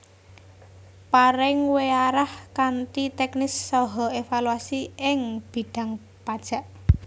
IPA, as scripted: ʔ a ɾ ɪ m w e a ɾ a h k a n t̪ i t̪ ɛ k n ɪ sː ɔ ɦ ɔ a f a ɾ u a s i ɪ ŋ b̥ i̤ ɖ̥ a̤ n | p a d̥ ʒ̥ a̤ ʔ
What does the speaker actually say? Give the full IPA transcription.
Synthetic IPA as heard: p a ɾ ɪ ŋ w e a ɾ a h k a n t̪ i t̪ ɛ k n ɪ sː ɔ ɦ ɔ e f a l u a s i ɪ ŋ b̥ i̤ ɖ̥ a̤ ŋ | p a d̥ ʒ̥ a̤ ʔ